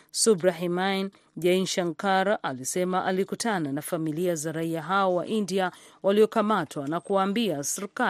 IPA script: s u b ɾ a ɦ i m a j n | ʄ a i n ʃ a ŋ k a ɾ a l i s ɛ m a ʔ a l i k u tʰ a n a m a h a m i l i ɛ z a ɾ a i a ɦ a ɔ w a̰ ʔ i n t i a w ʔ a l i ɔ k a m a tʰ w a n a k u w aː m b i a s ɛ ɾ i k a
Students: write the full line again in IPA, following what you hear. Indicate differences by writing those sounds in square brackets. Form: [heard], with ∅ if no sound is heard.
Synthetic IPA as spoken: s u b ɾ a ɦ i m a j n | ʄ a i n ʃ a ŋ k a ɾ a l i s ɛ m a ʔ a l i k u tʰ a n a [n] a [f] a m i l i [a] z a ɾ a i a ɦ a ɔ w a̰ ʔ i n [d] i a w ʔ a l i ɔ k a m a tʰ w a n a k u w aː m b i a s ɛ ɾ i k a